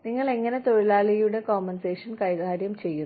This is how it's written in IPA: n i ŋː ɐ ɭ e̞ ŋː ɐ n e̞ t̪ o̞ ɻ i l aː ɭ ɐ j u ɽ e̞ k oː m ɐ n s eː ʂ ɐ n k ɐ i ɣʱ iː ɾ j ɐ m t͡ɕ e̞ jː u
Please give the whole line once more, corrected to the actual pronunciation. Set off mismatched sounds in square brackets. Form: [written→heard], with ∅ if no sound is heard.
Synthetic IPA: n i ŋː ɐ ɭ e̞ ŋː ɐ n e̞ t̪ o̞ ɻ i l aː ɭ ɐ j u ɽ e̞ k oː m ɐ n s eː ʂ ɐ n k ɐ [i→j] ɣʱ [iː→aː] ɾ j ɐ m t͡ɕ e̞ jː u

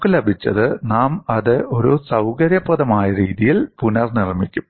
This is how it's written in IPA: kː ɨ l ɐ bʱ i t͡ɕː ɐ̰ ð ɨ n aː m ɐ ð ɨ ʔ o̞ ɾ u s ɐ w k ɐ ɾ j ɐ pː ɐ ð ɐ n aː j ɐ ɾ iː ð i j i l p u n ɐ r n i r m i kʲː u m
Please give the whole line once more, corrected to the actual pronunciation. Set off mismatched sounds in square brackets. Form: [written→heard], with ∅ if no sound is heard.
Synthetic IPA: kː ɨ l ɐ bʱ i t͡ɕː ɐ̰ ð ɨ n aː m ɐ ð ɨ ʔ o̞ ɾ u s ɐ w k ɐ ɾ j ɐ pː ɐ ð ɐ [n→m] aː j ɐ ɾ iː ð i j i l p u n ɐ r n i r m i kʲː u m

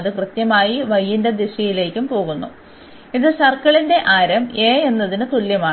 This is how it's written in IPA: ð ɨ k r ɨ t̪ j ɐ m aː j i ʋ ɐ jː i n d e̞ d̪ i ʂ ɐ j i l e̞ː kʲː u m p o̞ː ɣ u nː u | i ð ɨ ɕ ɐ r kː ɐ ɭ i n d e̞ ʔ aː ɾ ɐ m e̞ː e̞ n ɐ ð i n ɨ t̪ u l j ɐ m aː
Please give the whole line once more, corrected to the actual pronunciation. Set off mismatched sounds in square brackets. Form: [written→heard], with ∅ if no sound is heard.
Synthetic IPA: ð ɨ k r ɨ t̪ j ɐ m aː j i ʋ ɐ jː i n d e̞ d̪ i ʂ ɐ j i l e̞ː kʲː u m p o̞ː ɣ u nː u | i ð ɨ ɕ ɐ r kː ɐ ɭ i n d e̞ ʔ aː ɾ ɐ m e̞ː e̞ [n→nː] ɐ ð i n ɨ t̪ u l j ɐ m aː

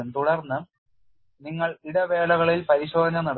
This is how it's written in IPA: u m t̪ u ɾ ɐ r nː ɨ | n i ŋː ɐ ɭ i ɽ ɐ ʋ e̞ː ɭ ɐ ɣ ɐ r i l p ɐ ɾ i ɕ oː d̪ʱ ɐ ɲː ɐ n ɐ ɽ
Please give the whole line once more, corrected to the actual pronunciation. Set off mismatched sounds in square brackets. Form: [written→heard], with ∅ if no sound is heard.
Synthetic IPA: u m t̪ u [ɾ→ɽ] ɐ r nː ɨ | n i ŋː ɐ ɭ i ɽ ɐ ʋ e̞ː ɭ ɐ ɣ ɐ [r→ɭ] i l p ɐ ɾ i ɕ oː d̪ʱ ɐ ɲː ɐ n ɐ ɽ

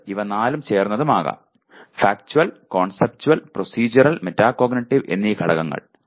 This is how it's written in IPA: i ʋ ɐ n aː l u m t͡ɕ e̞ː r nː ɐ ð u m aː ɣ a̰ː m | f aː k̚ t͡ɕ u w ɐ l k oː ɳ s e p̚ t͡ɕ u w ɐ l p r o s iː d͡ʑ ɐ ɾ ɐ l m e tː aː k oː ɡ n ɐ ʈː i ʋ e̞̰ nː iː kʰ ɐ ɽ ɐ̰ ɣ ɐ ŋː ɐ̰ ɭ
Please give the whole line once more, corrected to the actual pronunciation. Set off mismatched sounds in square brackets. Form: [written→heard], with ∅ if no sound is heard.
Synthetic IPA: i ʋ ɐ n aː l u m t͡ɕ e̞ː r nː ɐ ð u m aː ɣ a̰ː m | f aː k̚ t͡ɕ u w ɐ l k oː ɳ s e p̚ t͡ɕ u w ɐ l p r o s iː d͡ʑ ɐ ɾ ɐ l m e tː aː k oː ɡ n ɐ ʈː i ʋ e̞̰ nː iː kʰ ɐ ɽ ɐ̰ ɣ ɐ ŋː ɐ̰ ɭ

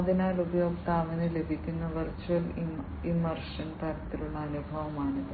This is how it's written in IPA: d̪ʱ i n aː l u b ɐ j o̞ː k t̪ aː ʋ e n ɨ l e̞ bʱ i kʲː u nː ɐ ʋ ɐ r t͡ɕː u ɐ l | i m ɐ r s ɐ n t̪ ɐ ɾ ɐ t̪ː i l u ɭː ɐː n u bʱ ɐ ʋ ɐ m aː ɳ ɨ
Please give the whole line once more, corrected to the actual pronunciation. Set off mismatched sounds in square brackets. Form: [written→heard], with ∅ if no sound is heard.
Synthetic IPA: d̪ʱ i n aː l u b ɐ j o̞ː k t̪ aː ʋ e n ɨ l e̞ bʱ i kʲː u nː ɐ ʋ ɐ r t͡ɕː u ɐ l | i m ɐ r [s→ʂ] ɐ n t̪ ɐ ɾ ɐ t̪ː i l u ɭː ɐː n u bʱ ɐ ʋ ɐ m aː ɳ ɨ

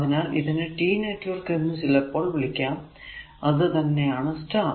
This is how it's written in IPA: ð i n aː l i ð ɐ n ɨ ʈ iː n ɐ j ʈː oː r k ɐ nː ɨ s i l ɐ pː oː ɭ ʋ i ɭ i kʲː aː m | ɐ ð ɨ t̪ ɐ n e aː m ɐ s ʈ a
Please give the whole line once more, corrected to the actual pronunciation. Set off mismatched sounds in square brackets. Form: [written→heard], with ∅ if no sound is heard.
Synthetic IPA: ð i n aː l i ð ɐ n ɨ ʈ iː n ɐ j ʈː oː r k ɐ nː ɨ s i l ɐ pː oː ɭ ʋ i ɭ i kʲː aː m | ɐ ð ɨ t̪ ɐ [n→nː] e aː [m→ɳ] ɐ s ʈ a

